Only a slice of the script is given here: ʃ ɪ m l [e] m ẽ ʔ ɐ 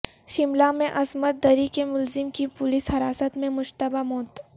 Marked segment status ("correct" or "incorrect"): incorrect